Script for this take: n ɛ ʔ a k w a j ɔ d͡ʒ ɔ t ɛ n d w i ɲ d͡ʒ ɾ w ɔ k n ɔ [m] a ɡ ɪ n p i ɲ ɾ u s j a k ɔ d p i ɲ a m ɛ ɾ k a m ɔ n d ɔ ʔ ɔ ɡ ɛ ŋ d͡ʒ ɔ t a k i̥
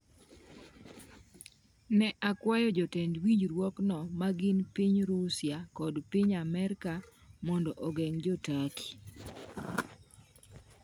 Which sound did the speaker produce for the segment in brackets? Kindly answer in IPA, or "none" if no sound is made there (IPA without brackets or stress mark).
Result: m